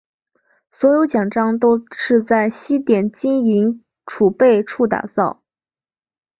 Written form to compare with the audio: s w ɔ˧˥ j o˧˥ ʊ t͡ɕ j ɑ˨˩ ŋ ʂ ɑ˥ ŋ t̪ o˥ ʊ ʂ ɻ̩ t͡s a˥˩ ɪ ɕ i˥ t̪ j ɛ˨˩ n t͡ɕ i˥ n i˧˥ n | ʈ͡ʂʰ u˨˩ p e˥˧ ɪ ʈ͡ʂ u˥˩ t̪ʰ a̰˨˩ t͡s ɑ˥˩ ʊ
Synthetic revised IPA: s w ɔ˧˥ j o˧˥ ʊ t͡ɕ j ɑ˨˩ ŋ ʈ͡ʂ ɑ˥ ŋ t̪ o˥ ʊ ʂ ɻ̩ t͡s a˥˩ ɪ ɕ i˥ t̪ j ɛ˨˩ n t͡ɕ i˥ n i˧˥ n | ʈ͡ʂʰ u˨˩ p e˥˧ ɪ ʈ͡ʂʰ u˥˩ t̪ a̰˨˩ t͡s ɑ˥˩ ʊ